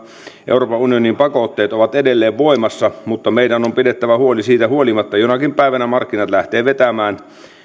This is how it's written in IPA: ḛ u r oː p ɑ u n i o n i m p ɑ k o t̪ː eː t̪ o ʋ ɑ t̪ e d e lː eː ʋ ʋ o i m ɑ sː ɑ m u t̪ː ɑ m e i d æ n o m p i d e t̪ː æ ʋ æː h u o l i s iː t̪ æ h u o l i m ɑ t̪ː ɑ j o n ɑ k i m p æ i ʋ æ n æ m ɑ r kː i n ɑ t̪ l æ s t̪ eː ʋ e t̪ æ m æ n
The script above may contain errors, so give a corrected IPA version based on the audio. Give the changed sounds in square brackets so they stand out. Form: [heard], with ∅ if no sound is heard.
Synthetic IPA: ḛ u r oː p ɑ u n i o n i m p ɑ k o t̪ː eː t̪ o ʋ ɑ t̪ e d e lː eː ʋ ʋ o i m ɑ sː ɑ m u t̪ː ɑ m e i d æ n o m p i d e t̪ː æ ʋ [æ] h u o l i s iː t̪ æ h u o l i m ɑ t̪ː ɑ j o n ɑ k i m p æ i ʋ æ n æ m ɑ r kː i n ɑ t̪ l æ [h] t̪ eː ʋ e t̪ æ m [æː] n